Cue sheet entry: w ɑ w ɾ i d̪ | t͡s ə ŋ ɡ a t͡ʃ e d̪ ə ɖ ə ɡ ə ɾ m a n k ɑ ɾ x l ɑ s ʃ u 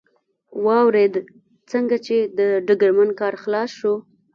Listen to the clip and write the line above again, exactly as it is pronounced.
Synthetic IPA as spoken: w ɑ w ɾ e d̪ | t͡s ə ŋ ɡ a t͡ʃ e d̪ ə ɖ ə ɡ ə ɾ m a n k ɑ ɾ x l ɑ s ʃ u